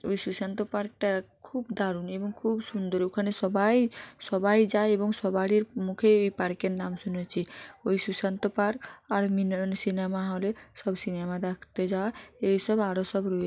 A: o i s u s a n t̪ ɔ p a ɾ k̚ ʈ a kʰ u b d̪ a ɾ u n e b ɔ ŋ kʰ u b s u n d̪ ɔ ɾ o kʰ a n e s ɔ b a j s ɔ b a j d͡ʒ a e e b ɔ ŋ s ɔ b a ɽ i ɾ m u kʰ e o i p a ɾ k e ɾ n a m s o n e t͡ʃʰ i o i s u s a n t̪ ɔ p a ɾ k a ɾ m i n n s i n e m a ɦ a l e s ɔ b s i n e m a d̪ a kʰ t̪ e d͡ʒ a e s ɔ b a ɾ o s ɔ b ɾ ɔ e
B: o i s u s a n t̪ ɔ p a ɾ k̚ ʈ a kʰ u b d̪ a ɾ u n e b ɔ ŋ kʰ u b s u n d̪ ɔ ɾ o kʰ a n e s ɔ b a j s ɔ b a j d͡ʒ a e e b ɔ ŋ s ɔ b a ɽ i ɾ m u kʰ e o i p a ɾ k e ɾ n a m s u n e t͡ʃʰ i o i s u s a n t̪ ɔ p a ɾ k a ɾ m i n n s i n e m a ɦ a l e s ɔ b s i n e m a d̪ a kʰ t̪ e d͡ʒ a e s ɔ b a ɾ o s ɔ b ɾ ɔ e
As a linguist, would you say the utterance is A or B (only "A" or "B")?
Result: B